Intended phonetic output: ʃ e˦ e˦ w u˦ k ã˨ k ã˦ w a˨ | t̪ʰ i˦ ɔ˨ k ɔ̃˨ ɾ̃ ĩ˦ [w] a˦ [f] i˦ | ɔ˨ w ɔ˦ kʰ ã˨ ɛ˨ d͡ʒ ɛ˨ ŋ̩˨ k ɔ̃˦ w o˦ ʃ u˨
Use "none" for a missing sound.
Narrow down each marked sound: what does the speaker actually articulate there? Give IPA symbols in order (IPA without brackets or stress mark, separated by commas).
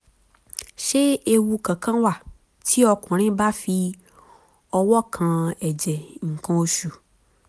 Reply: b, f